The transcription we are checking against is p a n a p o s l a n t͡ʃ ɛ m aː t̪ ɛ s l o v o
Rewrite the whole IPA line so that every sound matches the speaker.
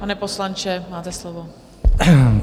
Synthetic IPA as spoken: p a n ɛ p o s l a n t͡ʃ ɛ m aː t̪ ɛ s l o v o